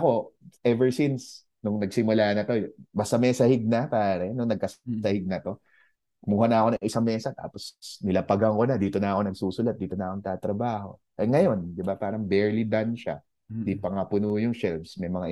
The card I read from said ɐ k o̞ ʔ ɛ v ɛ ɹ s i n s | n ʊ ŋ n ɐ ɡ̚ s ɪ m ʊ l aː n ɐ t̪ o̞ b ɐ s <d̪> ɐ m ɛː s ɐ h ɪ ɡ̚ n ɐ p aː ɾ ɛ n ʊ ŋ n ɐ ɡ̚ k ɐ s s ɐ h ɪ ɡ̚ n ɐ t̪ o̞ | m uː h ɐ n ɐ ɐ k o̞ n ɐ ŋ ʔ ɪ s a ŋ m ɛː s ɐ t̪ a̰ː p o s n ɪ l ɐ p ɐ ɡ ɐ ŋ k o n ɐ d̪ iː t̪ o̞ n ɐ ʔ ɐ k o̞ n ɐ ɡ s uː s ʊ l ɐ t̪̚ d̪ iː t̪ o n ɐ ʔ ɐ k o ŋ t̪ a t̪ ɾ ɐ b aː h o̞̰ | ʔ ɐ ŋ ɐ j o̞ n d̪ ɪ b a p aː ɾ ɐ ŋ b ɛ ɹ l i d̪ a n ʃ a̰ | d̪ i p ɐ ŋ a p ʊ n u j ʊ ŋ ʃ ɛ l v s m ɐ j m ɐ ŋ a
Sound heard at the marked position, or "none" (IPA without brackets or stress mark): t̪